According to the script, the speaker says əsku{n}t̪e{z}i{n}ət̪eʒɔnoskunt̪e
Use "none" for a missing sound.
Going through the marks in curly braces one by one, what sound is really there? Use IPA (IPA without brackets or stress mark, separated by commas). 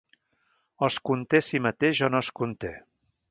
n, s, m